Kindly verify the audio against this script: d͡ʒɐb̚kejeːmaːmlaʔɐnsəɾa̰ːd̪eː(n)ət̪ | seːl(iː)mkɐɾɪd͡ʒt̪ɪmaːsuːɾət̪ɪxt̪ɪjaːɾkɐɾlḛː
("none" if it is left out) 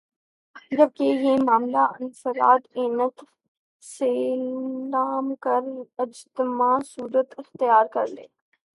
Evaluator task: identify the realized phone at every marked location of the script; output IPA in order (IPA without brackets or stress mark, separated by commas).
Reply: n, aː